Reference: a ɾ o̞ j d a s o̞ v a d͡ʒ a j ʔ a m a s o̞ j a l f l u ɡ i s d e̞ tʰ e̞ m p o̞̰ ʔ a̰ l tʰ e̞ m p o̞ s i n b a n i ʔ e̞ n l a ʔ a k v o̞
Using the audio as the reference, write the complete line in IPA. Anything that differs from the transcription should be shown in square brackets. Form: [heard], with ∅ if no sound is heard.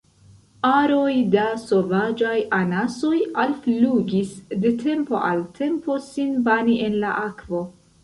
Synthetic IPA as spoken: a ɾ o̞ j d a s o̞ v a d͡ʒ a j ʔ a [n] a s o̞ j a l f l u ɡ i s d e̞ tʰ e̞ m p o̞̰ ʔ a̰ l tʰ e̞ m p o̞ s i n b a n i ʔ e̞ n l a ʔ a k v o̞